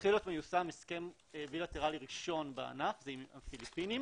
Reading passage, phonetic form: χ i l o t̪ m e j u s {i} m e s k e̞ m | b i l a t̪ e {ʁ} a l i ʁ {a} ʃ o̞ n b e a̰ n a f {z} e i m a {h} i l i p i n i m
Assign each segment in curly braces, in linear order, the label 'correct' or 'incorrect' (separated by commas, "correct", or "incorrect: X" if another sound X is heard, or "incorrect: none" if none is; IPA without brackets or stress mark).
incorrect: a, correct, incorrect: i, correct, incorrect: f